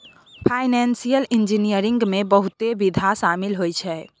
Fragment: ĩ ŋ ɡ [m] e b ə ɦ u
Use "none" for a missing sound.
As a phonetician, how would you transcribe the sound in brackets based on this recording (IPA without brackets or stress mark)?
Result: m